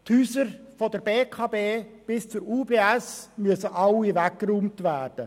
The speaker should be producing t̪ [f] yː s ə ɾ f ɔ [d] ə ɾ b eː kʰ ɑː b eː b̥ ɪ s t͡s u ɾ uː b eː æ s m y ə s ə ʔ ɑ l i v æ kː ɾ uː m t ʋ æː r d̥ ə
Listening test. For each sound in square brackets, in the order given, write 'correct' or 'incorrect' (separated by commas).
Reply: incorrect, correct